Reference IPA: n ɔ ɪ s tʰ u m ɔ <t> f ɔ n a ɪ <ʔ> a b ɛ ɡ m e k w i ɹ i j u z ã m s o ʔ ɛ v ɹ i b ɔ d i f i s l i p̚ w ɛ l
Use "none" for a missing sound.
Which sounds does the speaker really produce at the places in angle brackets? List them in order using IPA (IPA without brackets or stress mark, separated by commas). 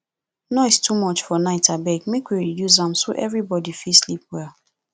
t͡ʃ, t